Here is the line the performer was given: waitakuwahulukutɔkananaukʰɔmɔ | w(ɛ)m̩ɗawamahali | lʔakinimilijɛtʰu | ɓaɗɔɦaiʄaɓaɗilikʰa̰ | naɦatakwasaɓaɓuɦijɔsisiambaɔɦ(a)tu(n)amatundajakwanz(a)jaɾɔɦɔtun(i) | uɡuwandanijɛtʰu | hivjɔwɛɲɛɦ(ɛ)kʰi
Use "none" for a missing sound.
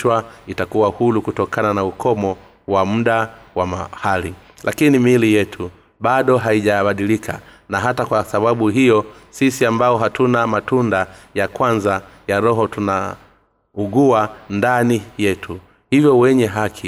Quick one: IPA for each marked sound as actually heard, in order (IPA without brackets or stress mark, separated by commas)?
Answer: a, a, n, a, a, a